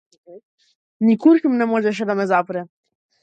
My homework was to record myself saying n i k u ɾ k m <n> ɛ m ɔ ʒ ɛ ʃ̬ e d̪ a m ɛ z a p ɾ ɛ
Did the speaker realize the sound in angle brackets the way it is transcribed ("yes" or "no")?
yes